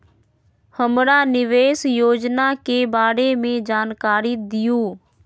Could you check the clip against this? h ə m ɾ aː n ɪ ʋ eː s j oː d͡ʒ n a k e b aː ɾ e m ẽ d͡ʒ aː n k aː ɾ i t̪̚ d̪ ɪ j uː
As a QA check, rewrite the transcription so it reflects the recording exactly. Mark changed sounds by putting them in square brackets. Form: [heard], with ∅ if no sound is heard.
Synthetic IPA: h ə m ɾ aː n ɪ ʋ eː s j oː d͡ʒ n a k e b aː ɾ e m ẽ d͡ʒ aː n k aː ɾ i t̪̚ d̪ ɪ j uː